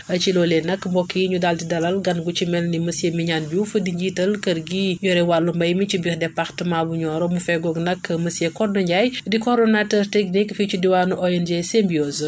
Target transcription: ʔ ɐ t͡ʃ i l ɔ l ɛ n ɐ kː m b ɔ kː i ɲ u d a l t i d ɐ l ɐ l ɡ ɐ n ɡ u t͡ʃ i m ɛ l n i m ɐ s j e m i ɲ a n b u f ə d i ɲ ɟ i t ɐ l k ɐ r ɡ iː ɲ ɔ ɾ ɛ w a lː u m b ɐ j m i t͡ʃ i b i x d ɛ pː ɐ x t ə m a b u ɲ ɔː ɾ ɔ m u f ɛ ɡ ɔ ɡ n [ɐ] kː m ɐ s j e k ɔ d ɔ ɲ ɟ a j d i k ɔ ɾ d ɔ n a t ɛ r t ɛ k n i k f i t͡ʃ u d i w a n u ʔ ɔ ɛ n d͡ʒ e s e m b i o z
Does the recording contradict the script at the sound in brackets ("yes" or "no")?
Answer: no